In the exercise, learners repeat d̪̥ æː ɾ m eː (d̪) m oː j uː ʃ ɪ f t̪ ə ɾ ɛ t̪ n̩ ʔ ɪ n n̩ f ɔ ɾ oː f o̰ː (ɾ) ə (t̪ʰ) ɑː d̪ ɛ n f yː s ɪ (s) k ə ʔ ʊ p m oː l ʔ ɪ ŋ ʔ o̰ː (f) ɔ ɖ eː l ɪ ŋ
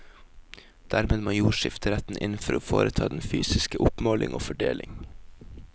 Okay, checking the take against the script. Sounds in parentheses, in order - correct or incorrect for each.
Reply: correct, correct, correct, correct, correct

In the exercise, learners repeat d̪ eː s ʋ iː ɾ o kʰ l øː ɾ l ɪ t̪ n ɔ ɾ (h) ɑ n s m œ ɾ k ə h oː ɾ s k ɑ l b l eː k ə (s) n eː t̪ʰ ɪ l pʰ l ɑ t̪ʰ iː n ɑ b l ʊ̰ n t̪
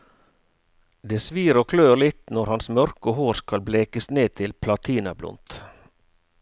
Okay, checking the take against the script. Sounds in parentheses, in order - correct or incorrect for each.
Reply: correct, correct

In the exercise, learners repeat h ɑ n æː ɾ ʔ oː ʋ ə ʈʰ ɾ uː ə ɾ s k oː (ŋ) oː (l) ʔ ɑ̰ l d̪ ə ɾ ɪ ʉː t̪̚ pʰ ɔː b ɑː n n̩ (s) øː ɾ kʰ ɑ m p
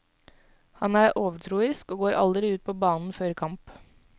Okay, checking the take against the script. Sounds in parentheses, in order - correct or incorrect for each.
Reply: incorrect: ɡ, incorrect: ɾ, incorrect: f

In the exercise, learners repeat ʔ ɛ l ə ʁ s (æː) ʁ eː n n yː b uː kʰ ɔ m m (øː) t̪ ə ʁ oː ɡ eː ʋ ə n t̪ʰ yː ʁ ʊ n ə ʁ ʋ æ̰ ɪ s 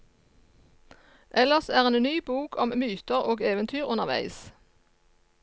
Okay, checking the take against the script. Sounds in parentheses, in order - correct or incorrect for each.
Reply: correct, incorrect: yː

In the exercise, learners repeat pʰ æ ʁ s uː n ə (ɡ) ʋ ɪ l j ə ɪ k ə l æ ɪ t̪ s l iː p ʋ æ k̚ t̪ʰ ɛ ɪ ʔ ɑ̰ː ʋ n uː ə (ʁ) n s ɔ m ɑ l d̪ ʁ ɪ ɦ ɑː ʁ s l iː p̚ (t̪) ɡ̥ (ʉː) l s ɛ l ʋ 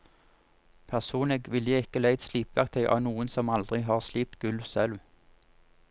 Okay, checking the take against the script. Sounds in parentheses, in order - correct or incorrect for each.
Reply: correct, incorrect: none, correct, incorrect: ʉ

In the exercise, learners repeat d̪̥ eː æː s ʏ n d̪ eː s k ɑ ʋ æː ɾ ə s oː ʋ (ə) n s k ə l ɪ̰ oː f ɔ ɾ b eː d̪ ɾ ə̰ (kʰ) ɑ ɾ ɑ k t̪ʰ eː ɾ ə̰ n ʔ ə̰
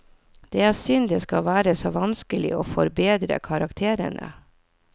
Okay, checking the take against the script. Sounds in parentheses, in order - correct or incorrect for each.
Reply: incorrect: ɑ, correct

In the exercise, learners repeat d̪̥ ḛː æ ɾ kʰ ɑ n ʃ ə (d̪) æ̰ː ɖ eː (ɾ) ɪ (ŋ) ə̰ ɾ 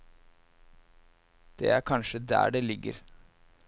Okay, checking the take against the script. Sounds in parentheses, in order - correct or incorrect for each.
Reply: correct, incorrect: l, incorrect: ɡ

